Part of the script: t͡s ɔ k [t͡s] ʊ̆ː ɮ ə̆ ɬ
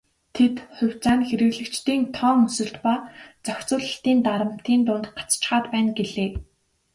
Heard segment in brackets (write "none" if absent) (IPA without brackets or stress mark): t͡s